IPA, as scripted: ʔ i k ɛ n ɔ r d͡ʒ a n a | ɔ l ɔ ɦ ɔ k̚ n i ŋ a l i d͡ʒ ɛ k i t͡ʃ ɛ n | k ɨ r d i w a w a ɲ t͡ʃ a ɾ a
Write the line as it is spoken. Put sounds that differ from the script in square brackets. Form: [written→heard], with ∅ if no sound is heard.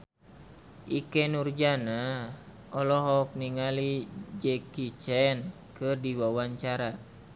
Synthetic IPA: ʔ i k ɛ n [ɔ→u] r d͡ʒ a n a | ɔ l ɔ ɦ ɔ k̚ n i ŋ a l i d͡ʒ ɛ k i t͡ʃ ɛ n | k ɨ r d i w a w a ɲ t͡ʃ a ɾ a